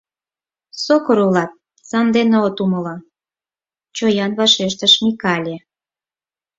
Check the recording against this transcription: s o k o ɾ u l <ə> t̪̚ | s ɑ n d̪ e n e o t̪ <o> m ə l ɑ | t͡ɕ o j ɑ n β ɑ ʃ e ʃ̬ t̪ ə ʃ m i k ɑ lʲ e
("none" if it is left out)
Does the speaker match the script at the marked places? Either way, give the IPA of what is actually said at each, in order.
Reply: ɑ, u

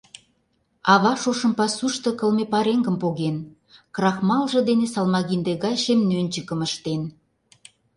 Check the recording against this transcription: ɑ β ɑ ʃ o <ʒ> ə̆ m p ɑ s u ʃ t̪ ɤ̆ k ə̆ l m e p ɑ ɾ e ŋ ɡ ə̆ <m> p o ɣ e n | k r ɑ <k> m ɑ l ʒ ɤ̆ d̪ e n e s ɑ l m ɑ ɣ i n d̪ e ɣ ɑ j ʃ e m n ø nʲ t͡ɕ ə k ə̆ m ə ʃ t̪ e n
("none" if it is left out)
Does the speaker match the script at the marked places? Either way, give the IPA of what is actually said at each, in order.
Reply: ʃ, m, x

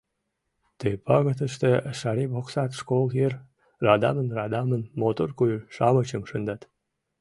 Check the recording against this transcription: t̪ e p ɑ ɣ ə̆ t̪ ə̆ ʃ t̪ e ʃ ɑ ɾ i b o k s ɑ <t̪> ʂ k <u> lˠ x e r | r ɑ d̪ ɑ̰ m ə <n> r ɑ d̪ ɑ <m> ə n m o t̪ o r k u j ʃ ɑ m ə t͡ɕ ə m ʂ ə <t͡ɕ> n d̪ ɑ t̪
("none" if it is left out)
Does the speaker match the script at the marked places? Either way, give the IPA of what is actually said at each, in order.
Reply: t̪, o, n, m, none

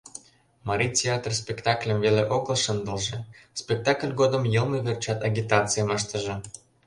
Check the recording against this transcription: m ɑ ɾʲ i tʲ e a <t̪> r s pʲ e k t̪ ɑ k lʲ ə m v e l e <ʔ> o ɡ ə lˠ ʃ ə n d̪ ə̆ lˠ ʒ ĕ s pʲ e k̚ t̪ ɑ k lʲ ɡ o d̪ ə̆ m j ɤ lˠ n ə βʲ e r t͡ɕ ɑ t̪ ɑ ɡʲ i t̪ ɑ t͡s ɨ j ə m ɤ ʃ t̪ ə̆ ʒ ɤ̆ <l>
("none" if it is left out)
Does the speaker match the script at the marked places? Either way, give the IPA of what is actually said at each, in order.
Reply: t̪, ʔ, none

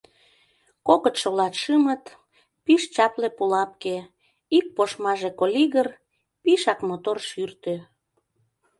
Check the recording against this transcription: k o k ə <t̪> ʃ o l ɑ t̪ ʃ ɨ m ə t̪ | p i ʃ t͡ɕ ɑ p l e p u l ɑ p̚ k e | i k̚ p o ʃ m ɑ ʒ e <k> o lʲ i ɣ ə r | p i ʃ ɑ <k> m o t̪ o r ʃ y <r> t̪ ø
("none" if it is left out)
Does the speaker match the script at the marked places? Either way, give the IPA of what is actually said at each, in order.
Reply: t̪, k, k, r

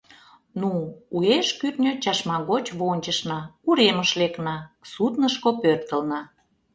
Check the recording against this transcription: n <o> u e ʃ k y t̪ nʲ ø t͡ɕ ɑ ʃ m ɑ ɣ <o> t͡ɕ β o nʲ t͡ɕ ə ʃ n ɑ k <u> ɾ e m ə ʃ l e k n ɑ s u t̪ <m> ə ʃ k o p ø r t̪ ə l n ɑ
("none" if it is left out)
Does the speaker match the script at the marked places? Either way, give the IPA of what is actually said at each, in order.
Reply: u, o, u, n

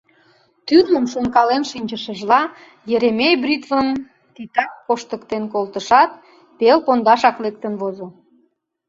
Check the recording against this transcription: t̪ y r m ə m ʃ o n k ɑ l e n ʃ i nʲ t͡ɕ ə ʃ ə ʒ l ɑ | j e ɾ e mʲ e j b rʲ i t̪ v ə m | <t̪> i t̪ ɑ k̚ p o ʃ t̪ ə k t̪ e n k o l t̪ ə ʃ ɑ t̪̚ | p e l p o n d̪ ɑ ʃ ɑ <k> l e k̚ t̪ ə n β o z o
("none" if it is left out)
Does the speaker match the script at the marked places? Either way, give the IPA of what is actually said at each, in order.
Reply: t̪, k

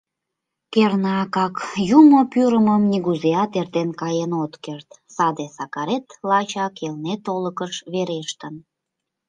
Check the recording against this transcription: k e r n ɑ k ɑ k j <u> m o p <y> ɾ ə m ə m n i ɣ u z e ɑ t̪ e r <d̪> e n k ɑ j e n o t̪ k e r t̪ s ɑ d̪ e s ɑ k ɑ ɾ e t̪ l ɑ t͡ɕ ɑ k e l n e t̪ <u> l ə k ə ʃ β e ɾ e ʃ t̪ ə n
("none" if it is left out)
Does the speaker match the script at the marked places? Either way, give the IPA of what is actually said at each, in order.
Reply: u, y, t̪, o

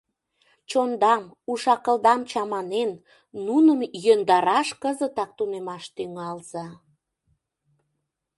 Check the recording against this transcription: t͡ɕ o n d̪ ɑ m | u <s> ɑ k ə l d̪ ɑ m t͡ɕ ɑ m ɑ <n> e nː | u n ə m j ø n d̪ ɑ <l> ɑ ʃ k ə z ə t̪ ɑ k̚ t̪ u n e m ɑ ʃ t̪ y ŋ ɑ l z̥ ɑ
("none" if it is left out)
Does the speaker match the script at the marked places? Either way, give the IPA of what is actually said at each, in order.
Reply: ʃ, n, ɾ

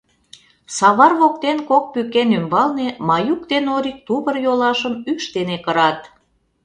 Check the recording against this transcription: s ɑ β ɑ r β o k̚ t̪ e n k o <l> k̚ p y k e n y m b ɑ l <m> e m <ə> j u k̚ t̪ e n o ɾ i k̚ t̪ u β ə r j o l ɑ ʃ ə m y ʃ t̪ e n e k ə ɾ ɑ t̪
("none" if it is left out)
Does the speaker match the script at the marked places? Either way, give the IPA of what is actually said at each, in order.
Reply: none, n, ɑ

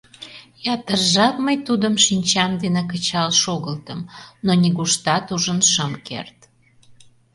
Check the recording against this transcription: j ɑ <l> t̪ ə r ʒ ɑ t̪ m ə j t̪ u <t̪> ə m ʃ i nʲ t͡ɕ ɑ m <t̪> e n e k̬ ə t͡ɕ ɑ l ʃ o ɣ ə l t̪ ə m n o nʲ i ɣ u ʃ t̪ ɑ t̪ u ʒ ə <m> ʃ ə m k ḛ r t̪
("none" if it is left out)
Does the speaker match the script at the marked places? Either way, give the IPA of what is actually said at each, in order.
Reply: none, d̪, d̪, n

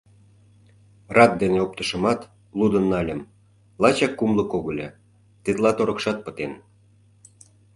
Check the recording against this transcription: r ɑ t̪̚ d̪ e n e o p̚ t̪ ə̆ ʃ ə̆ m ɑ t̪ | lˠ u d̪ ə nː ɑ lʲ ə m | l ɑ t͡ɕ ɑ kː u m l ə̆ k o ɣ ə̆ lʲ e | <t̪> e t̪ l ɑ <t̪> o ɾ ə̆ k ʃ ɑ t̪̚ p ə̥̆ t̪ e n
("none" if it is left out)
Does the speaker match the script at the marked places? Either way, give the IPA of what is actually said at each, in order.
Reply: t̪, t̪

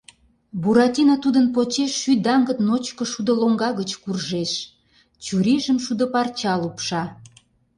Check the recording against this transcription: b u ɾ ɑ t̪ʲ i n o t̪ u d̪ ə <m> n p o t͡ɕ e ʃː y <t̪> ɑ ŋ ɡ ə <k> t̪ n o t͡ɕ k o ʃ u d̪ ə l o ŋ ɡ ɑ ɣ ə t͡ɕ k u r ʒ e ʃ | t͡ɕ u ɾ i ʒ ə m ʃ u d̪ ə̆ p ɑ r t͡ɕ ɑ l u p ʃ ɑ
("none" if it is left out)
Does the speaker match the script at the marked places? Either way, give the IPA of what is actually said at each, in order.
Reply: none, d̪, none

